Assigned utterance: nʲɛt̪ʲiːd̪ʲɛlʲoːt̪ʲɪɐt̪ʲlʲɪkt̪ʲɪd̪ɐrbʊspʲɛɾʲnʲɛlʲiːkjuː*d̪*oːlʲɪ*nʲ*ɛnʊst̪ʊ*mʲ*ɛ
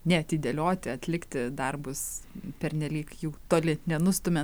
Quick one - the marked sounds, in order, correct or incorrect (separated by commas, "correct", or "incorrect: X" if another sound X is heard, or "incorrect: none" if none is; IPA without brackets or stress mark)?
incorrect: t̪, correct, correct